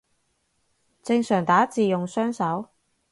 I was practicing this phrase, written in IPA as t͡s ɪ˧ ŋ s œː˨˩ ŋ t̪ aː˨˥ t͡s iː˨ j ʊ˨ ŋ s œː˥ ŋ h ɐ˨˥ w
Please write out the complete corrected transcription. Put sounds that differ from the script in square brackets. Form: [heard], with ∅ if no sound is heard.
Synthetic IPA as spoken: t͡s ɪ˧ ŋ s œː˨˩ ŋ t̪ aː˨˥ t͡s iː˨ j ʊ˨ ŋ s œː˥ ŋ [s] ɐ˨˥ w